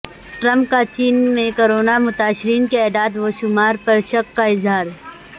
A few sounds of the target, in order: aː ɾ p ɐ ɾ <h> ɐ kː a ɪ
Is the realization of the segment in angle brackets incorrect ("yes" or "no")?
yes